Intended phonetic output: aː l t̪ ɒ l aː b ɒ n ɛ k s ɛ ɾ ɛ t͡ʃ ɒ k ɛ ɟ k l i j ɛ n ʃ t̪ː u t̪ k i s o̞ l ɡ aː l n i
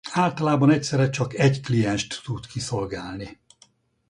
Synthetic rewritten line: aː l t̪ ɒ l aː b ɒ n ɛ c s ɛ ɾ ɛ t͡ʃ ɒ k ɛ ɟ k l i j ɛ n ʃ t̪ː u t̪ k i s o̞ l ɡ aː l n i